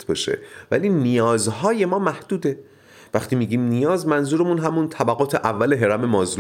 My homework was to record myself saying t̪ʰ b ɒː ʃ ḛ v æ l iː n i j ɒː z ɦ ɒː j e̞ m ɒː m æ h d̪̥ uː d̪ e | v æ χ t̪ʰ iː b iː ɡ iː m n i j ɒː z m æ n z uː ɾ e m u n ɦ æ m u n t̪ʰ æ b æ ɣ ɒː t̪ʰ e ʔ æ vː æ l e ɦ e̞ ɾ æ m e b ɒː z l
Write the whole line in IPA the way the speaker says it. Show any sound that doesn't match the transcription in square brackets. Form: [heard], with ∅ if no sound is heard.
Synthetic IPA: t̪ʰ b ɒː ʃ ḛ v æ l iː n i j ɒː z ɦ ɒː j e̞ m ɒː m æ h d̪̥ uː d̪ e | v æ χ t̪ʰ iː [m] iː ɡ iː m n i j ɒː z m æ n z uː ɾ e m u n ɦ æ m u n t̪ʰ æ b æ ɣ ɒː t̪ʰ e ʔ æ vː æ l e ɦ e̞ ɾ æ m e [m] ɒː z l